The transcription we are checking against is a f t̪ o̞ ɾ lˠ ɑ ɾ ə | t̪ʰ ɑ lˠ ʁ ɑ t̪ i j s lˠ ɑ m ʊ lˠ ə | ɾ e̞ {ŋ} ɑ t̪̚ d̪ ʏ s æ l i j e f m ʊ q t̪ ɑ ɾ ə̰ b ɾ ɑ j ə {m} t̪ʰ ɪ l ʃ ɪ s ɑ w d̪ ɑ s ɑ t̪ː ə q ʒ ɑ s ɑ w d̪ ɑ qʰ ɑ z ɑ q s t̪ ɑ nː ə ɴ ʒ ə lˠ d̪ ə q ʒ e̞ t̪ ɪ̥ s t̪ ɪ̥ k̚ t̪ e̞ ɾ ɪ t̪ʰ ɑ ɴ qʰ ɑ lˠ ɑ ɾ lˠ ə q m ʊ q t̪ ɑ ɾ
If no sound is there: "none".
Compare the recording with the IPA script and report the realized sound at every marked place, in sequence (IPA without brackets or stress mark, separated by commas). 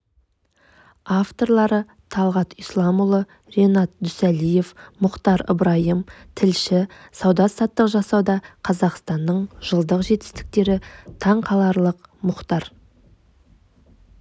n, m